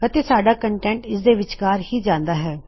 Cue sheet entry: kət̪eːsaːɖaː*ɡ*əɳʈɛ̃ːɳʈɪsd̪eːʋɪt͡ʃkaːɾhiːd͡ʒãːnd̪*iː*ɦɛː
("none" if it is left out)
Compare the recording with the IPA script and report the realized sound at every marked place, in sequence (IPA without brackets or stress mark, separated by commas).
k, aː